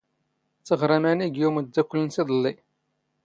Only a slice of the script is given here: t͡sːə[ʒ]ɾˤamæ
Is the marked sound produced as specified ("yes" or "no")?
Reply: no